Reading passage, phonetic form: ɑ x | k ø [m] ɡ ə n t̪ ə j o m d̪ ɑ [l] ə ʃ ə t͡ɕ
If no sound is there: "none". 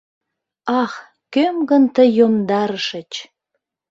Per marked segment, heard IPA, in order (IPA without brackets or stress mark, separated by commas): m, ɾ